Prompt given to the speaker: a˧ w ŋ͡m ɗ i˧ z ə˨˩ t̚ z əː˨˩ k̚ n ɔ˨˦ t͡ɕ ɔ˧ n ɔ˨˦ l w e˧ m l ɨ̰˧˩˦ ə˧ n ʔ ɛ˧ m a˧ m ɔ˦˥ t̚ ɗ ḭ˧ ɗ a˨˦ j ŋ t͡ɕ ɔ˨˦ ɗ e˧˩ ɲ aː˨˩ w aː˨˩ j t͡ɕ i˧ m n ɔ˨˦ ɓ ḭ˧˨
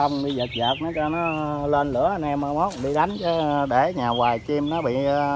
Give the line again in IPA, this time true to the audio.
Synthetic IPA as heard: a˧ w ŋ͡m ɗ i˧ z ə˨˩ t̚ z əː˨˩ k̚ n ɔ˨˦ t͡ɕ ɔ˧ n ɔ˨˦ l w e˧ n l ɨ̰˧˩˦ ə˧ n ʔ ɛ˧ m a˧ m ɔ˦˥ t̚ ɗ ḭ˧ ɗ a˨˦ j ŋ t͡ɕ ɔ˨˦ ɗ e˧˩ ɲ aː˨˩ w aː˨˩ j t͡ɕ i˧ m n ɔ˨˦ ɓ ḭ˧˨

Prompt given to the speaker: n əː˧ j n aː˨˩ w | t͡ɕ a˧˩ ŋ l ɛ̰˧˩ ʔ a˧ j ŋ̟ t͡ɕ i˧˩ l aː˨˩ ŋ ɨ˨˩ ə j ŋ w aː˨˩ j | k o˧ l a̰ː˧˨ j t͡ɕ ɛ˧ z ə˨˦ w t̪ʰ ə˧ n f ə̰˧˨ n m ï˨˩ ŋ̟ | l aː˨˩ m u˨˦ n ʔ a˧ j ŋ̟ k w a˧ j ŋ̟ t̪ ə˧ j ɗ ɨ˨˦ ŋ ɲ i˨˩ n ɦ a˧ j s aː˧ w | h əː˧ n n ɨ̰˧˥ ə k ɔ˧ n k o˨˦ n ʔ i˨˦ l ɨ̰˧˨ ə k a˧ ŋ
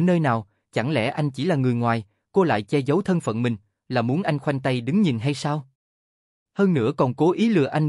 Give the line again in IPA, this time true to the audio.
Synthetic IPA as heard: n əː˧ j n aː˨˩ w | t͡ɕ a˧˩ ŋ l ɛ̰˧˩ ʔ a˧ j ŋ̟ t͡ɕ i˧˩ l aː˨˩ ŋ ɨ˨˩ ə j ŋ w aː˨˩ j | k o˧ l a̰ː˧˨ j t͡ɕ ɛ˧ z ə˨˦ w t̪ʰ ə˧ n f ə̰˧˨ n m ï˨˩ ŋ̟ | l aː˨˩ m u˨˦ n ʔ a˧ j ŋ̟ x w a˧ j ŋ̟ t̪ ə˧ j ɗ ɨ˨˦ ŋ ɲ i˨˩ n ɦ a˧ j s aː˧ w | h əː˧ n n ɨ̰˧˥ ə k ɔ˨˩ n k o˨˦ ʔ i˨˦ l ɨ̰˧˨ ə ʔ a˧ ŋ

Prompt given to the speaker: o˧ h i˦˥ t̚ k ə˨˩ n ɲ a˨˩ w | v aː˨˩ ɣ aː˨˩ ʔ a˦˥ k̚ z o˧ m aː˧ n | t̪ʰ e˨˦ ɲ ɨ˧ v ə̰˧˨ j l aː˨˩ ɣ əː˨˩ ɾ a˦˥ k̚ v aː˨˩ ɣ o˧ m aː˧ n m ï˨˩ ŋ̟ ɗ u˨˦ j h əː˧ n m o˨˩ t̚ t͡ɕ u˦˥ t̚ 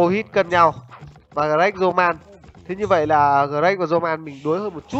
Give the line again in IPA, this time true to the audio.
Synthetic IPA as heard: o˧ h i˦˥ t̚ k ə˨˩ n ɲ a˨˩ w | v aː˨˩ ɣ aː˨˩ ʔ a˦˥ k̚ z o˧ m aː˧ n | t̪ʰ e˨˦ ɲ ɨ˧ v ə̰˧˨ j l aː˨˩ ɣ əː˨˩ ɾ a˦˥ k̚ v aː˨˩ z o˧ m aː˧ n m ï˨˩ ŋ̟ ɗ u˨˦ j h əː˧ n m o˨˩ t̚ t͡ɕ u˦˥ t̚

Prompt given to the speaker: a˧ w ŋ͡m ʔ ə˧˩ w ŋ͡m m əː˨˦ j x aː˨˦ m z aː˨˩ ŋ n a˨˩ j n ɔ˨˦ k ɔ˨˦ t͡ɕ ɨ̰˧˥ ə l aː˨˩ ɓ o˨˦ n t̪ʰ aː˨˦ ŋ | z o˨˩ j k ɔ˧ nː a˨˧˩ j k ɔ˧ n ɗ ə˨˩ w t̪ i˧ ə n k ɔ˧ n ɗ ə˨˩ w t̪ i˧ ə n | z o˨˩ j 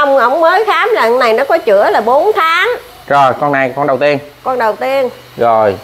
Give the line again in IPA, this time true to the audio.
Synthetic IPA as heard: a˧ w ŋ͡m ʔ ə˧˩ w ŋ͡m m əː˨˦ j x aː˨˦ m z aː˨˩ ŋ n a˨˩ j n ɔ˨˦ k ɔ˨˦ t͡ɕ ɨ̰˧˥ ə l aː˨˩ ɓ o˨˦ n t̪ʰ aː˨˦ ŋ | z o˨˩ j k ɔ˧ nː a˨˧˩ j k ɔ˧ n ɗ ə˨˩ w t̪ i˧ ə n k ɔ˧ n ɗ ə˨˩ w t̪ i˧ ə n | z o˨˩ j

